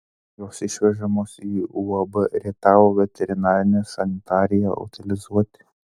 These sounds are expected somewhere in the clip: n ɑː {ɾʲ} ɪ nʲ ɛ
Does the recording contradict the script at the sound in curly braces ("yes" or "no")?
no